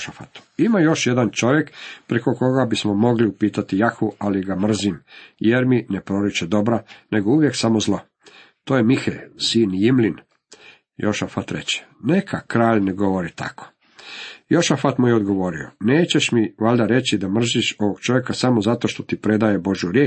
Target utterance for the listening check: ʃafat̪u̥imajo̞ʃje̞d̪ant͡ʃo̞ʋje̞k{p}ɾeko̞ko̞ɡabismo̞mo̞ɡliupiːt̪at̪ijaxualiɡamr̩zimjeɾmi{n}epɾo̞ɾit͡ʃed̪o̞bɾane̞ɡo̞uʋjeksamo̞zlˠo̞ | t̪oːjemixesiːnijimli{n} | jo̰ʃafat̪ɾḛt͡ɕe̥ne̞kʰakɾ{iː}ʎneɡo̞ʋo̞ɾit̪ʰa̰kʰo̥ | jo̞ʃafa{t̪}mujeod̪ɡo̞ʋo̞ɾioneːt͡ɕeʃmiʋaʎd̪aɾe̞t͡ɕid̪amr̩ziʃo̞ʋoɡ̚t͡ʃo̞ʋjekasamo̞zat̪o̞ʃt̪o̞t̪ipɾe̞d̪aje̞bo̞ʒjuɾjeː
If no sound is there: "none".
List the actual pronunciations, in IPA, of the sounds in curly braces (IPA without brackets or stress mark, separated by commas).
p, n, n, aː, t̪